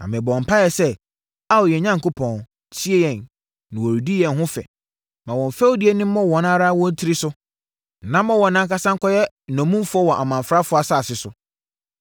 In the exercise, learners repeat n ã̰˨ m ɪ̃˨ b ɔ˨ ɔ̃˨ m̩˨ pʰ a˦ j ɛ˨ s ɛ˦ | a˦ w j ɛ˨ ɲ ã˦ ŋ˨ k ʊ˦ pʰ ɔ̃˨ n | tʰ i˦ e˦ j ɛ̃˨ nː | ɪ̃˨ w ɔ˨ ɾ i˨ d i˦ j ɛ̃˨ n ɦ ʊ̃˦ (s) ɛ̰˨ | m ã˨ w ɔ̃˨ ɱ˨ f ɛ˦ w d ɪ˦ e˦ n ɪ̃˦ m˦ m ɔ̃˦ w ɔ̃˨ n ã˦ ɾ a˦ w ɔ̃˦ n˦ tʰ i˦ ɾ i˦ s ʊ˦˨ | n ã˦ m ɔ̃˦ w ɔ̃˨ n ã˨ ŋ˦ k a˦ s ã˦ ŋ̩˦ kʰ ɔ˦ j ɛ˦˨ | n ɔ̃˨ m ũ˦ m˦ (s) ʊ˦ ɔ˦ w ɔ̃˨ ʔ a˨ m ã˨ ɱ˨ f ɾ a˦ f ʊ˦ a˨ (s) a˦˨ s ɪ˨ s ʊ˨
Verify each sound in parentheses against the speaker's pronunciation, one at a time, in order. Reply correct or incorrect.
incorrect: f, incorrect: f, correct

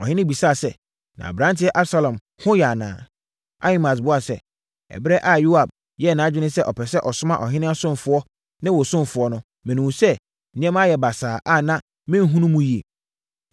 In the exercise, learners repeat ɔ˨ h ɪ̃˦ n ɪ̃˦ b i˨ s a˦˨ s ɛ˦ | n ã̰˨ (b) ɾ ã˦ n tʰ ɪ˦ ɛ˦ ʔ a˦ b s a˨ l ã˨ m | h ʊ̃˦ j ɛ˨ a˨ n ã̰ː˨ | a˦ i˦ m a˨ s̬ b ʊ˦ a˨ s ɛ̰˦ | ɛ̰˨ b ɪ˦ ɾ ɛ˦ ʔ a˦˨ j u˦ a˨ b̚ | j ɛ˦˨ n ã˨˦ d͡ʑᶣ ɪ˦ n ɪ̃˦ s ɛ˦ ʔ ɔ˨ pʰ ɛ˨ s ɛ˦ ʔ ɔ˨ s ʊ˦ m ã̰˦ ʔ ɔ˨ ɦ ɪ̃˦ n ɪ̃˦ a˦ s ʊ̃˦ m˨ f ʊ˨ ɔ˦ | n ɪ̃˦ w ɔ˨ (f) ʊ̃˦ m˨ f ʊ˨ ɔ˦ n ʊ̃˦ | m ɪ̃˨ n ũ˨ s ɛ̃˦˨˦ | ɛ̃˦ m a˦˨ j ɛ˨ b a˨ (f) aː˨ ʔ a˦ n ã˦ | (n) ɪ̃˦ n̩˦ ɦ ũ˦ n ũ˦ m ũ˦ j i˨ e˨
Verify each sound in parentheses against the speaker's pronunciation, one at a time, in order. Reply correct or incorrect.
correct, incorrect: s, incorrect: s, incorrect: m

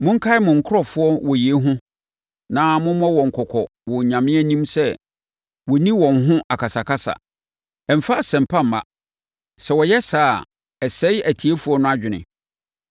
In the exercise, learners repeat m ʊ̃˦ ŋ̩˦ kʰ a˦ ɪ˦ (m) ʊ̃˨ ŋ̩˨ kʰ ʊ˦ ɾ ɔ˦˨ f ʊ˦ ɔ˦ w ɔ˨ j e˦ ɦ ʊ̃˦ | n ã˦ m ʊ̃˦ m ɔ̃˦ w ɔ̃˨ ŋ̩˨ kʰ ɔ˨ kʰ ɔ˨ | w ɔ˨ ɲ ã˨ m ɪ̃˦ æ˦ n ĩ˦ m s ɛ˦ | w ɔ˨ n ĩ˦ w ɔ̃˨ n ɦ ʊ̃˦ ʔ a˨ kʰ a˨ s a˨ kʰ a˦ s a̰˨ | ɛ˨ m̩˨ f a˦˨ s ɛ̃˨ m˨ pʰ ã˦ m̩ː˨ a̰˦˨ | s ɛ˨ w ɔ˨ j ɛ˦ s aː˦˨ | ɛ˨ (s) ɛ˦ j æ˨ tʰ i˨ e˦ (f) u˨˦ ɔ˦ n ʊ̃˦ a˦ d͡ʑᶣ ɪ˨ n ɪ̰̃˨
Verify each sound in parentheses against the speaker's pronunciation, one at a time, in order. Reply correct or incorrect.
correct, correct, correct

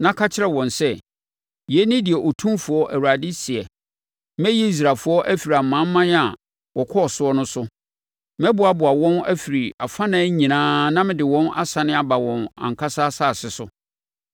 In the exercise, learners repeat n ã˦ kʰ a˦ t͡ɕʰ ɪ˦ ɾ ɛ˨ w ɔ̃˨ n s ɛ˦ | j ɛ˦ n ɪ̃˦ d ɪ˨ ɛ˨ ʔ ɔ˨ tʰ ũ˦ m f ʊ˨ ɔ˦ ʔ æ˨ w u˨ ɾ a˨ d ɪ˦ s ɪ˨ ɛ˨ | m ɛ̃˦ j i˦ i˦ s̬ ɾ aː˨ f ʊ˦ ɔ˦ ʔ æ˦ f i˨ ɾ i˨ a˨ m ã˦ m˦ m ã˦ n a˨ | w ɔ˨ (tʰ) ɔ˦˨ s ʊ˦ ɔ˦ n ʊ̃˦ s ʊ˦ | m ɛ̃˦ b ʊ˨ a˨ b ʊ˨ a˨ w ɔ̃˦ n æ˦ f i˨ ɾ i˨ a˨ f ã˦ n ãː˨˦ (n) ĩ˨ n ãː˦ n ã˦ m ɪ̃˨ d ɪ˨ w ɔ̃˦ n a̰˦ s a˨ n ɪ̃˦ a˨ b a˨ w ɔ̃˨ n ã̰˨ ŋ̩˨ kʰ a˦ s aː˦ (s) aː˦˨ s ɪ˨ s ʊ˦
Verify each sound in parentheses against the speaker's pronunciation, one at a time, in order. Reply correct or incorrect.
incorrect: kʰ, incorrect: ɲ, correct

